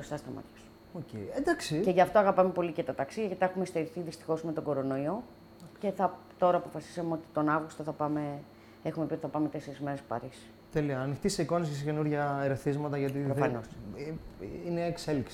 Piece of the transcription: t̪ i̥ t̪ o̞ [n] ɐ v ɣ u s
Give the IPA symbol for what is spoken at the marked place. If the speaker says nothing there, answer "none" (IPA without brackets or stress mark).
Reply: n